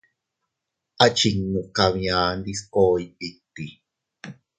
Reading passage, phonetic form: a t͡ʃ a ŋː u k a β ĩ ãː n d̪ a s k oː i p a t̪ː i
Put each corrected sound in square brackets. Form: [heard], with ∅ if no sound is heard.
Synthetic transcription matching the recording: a t͡ʃ [i] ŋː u k a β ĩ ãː n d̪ [i] s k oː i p [i] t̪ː i